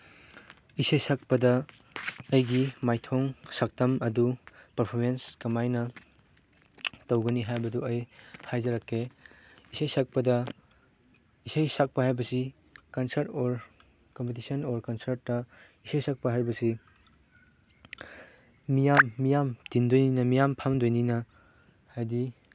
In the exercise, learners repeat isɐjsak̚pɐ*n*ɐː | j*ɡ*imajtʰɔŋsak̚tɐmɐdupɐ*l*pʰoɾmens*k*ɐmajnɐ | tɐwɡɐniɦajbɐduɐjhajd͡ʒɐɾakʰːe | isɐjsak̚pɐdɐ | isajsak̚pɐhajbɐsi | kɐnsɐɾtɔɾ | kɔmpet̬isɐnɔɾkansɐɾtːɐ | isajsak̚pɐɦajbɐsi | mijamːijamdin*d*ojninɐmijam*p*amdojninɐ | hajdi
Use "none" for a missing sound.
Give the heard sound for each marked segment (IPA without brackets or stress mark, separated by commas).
d, ɡ, ɾ, k, d, pʰ